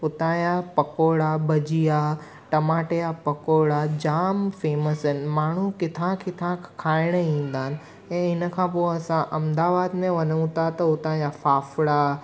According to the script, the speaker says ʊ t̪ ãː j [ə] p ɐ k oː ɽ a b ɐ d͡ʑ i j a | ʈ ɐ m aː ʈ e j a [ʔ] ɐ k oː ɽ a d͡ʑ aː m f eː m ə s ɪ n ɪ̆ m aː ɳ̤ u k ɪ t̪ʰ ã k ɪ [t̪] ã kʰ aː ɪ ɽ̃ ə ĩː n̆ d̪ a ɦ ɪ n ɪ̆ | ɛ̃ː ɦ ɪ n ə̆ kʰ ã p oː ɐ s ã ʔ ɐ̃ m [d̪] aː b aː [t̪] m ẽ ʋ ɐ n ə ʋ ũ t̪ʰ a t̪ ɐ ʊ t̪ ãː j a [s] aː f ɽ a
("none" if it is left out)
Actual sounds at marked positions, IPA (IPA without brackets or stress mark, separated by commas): a, p, t̪ʰ, d̪, d̪, f